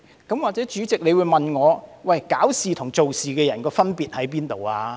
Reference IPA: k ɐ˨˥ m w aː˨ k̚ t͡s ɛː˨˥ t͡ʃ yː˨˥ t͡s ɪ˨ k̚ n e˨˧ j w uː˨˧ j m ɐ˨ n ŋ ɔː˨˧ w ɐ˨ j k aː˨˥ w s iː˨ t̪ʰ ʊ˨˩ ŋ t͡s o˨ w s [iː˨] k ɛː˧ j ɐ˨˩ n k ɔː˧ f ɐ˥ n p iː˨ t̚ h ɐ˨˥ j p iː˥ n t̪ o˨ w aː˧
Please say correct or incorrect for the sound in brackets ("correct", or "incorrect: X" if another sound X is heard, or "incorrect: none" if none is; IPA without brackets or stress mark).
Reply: correct